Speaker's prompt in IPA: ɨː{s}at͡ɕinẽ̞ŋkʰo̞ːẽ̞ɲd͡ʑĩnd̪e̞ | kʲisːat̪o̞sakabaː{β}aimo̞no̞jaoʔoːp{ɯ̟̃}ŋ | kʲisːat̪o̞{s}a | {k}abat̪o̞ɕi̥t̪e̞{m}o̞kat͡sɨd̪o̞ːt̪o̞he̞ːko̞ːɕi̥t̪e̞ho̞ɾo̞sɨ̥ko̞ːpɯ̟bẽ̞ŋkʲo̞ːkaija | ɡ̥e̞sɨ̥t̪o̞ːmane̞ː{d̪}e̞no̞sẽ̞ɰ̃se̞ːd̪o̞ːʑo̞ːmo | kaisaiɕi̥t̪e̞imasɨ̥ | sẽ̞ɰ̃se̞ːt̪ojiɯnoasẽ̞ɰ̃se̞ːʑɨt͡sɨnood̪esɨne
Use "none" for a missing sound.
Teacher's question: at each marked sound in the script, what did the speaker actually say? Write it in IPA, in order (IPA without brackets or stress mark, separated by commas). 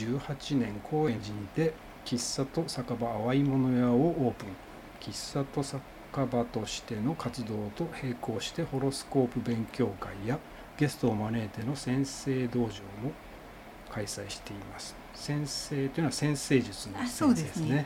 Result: h, β, ɯ̟̃, s, k, n, t̪